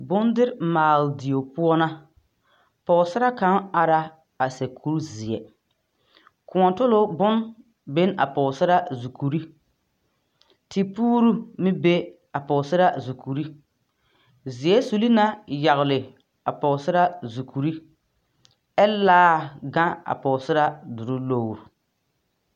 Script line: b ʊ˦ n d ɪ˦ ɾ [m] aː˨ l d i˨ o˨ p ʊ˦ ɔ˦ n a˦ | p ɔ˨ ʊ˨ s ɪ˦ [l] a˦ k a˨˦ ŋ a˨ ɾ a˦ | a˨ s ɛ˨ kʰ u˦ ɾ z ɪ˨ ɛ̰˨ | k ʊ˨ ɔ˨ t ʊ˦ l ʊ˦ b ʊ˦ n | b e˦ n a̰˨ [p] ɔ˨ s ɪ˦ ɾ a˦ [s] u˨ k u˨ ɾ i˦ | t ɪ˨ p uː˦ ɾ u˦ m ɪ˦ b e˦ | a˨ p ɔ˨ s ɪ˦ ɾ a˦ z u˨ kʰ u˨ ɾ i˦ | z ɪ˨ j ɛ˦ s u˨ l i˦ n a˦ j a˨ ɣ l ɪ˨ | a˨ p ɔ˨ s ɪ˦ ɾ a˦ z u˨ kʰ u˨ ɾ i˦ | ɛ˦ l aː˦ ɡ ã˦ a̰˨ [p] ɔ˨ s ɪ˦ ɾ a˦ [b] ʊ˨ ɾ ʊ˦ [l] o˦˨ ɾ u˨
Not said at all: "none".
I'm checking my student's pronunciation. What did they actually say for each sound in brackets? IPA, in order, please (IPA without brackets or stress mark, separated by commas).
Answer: m, ɾ, p, z, p, d, l